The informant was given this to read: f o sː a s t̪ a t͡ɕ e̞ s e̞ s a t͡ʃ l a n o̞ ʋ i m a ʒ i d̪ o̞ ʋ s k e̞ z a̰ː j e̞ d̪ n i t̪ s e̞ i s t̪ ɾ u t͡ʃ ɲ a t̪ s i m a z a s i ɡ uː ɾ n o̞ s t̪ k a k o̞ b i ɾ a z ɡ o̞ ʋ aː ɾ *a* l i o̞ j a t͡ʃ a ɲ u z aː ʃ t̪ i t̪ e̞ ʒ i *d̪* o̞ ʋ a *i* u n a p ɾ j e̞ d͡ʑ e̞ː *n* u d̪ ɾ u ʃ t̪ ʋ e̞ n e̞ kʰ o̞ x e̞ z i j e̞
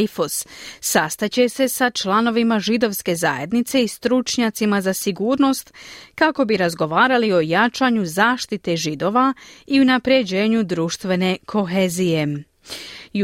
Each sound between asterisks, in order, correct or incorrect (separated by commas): correct, correct, correct, incorrect